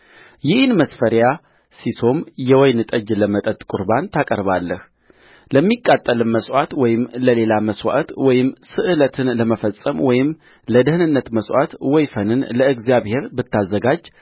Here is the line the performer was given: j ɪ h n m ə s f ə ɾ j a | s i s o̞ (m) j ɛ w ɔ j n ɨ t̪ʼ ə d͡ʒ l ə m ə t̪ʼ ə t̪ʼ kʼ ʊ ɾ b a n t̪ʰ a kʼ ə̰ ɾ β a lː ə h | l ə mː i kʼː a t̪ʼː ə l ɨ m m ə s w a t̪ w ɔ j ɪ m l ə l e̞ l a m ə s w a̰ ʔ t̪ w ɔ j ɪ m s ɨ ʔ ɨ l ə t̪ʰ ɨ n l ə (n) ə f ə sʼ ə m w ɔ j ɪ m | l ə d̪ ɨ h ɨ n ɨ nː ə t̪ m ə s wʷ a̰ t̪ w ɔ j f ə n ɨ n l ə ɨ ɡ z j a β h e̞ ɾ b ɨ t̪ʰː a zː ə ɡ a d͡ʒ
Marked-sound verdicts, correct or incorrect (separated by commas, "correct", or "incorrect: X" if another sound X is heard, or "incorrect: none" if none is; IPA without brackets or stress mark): correct, incorrect: m